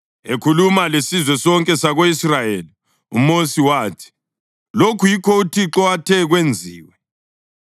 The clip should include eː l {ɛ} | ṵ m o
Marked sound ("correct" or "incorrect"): incorrect